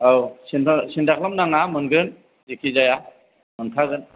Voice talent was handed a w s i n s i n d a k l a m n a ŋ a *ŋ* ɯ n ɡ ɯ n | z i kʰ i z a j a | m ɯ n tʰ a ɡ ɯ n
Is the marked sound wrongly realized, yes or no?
yes